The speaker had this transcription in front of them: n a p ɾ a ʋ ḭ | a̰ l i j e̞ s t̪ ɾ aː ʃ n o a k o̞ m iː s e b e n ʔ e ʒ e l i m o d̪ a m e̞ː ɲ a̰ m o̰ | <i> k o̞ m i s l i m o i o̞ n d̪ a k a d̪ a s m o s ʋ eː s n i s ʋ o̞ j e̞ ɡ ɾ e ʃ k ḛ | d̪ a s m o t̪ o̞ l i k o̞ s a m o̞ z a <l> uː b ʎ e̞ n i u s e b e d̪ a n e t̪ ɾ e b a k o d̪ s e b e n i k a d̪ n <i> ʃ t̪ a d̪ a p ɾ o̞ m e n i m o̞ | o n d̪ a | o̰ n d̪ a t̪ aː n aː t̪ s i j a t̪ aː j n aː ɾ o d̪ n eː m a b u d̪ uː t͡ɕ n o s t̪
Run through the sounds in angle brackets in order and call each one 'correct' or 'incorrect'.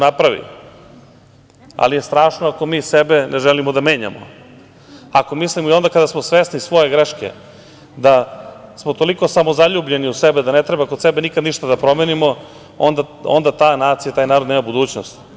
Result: incorrect: a, incorrect: ʎ, correct

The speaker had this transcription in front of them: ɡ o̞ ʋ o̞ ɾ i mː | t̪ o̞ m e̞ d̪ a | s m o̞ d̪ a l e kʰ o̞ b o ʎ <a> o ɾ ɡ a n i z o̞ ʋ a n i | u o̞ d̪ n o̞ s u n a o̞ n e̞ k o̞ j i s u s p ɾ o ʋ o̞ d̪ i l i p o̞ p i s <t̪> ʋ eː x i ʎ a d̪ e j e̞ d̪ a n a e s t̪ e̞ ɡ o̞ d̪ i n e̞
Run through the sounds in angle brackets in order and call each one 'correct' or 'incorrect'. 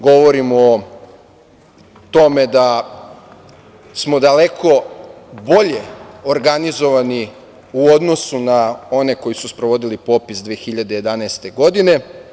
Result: incorrect: e, incorrect: d̪

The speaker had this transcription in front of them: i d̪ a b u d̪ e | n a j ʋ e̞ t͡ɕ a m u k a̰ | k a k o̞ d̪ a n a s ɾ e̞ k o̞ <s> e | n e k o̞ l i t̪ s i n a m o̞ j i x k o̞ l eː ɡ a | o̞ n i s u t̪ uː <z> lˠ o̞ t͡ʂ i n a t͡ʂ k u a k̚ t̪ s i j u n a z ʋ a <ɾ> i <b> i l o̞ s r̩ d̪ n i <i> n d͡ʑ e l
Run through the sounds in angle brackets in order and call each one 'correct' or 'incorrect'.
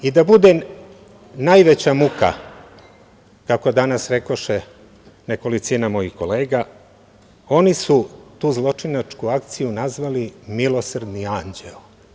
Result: incorrect: ʃ, correct, incorrect: l, incorrect: m, incorrect: a

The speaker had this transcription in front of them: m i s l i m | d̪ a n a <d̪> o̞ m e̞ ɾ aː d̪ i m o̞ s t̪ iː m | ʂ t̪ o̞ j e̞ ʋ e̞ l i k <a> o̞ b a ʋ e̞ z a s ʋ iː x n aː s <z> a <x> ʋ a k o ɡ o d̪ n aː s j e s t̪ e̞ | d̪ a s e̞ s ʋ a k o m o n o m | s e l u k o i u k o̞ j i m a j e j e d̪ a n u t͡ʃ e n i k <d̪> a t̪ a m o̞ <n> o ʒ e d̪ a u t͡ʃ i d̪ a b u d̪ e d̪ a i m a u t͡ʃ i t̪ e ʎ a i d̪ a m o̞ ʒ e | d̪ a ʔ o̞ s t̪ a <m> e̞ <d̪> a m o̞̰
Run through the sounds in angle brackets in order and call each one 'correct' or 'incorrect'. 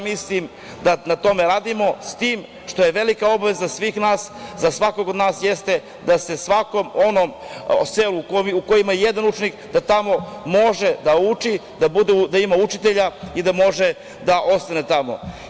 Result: incorrect: t̪, correct, correct, incorrect: s, correct, incorrect: m, incorrect: n, incorrect: t̪

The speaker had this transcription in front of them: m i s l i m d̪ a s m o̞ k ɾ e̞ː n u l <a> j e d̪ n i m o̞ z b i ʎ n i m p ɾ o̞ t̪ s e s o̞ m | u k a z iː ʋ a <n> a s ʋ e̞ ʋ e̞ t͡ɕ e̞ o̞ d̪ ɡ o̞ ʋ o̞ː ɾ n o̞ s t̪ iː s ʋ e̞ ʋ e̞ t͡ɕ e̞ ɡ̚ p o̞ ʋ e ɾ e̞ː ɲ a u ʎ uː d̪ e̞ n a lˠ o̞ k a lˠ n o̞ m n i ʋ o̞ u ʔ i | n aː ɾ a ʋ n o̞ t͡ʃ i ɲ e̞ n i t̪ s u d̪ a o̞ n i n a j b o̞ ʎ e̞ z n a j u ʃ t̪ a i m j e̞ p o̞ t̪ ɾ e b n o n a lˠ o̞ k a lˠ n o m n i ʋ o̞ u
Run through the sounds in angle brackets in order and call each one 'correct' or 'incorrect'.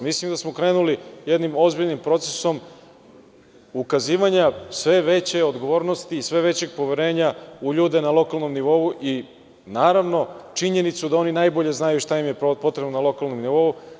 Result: incorrect: i, incorrect: ɲ

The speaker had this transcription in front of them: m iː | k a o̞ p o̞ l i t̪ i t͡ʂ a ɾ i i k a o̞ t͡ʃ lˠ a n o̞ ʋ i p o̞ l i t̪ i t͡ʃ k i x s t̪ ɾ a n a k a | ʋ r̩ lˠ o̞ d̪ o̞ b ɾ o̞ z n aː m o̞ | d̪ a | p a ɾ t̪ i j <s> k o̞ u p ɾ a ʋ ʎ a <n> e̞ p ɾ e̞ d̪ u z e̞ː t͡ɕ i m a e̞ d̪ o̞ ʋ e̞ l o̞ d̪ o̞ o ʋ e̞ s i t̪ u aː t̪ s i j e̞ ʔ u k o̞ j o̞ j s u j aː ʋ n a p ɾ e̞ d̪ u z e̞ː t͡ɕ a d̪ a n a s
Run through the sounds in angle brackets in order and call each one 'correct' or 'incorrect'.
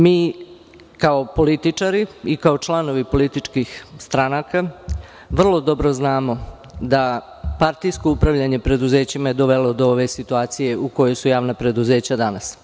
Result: correct, incorrect: ɲ

